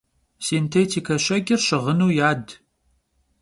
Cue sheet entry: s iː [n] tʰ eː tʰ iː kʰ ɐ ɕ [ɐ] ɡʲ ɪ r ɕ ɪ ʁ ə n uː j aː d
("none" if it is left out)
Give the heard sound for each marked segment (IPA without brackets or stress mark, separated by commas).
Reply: n, ɐ